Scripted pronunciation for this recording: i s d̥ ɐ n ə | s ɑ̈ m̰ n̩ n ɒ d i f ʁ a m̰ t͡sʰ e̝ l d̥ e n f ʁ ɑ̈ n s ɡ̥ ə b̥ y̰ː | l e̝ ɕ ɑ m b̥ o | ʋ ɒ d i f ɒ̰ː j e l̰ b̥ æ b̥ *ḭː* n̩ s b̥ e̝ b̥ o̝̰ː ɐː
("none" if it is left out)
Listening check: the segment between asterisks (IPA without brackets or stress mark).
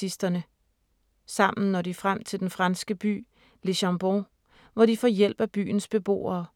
y̰ː